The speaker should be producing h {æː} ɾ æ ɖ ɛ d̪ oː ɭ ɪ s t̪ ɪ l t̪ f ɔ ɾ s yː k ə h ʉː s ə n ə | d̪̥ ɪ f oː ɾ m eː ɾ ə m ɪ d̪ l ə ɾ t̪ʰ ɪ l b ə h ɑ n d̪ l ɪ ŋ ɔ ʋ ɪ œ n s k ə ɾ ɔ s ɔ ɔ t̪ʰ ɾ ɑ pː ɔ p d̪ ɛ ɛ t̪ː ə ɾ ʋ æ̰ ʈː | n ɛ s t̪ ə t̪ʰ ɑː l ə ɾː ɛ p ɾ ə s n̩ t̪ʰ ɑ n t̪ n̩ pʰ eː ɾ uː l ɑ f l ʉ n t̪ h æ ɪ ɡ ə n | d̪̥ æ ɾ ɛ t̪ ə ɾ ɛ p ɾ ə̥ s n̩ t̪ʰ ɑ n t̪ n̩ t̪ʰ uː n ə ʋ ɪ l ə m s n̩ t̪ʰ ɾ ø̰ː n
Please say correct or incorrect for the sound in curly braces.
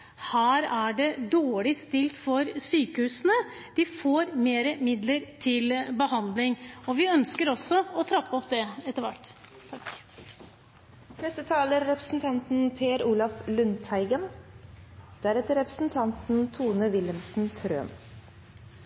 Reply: correct